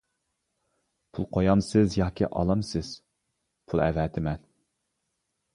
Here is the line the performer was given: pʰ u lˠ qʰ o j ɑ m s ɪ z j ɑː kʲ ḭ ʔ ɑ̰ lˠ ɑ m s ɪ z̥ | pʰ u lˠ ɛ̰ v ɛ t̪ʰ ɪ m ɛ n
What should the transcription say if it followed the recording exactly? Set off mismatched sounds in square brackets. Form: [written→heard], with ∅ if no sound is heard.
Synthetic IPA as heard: pʰ u lˠ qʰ o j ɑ m s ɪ z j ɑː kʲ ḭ ʔ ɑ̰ lˠ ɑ m s ɪ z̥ | pʰ u lˠ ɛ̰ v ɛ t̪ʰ ɪ m ɛ n